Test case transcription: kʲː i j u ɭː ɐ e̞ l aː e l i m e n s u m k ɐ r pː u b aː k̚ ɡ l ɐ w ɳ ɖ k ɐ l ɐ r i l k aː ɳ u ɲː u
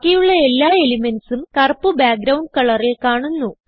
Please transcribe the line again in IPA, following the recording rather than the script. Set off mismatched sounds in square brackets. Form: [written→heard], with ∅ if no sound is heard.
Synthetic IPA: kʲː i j u ɭː ɐ e̞ [l→lː] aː e l i m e n s u m k ɐ r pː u b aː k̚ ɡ [l→ɾ] ɐ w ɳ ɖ k ɐ [l→ɭ] ɐ r i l k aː ɳ u [ɲː→nː] u

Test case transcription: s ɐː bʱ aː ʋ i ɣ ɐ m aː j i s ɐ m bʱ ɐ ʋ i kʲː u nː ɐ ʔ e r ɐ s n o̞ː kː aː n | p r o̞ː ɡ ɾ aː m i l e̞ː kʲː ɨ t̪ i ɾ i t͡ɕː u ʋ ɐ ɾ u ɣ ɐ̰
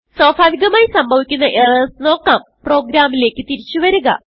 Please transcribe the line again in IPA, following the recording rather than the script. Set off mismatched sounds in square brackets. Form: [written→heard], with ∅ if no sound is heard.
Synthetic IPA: s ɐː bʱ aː ʋ i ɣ ɐ m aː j i s ɐ m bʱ ɐ ʋ i kʲː u nː ɐ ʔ e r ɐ s n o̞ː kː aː [n→m] | p r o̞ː ɡ ɾ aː m i l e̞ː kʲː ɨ t̪ i ɾ i t͡ɕː u ʋ ɐ ɾ u ɣ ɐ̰

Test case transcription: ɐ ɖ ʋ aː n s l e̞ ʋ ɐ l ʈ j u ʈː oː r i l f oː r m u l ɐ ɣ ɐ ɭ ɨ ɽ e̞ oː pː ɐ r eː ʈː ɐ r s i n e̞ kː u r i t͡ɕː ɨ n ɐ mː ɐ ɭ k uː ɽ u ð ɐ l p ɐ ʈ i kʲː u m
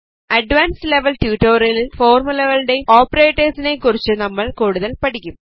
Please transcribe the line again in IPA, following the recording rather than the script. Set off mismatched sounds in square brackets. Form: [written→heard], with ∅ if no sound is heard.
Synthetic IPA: ɐ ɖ ʋ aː n s l e̞ ʋ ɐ l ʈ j u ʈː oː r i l f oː r m u l ɐ ɣ ɐ ɭ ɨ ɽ e̞ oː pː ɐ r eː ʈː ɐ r s i n e̞ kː u r i t͡ɕː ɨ n ɐ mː ɐ ɭ k uː ɽ u ð ɐ l p ɐ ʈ i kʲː u m

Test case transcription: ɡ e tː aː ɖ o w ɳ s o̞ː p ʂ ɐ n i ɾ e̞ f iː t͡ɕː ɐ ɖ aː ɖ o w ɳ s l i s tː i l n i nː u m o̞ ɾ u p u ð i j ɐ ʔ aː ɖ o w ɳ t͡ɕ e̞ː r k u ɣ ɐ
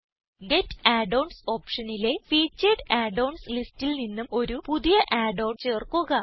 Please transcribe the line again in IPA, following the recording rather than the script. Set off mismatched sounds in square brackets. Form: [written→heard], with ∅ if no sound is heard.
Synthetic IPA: ɡ e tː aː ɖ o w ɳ s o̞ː p ʂ ɐ n i [ɾ→l] e̞ f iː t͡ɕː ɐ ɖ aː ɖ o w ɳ s l i s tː i l n i nː u m o̞ ɾ u p u ð i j ɐ ʔ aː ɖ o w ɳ t͡ɕ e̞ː r k u ɣ ɐ

